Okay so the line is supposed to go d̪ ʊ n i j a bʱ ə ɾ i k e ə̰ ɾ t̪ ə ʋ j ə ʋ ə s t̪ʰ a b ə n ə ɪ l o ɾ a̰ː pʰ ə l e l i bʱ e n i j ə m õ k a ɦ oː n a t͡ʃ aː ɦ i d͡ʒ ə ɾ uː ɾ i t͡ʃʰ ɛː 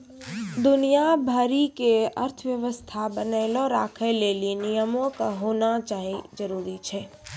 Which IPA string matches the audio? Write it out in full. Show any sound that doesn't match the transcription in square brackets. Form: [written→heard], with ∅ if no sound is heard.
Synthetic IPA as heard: d̪ ʊ n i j a bʱ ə ɾ i k e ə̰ ɾ [t̪→t̪ʰ] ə ʋ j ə ʋ ə s t̪ʰ a b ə n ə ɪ l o ɾ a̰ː [pʰ→kʰ] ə l e l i [bʱ→∅] e n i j ə m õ k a ɦ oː n a t͡ʃ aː ɦ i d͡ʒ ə ɾ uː ɾ i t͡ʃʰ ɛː